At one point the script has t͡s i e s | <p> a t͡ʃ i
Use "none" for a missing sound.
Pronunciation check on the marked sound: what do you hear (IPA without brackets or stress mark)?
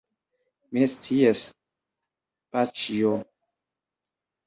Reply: p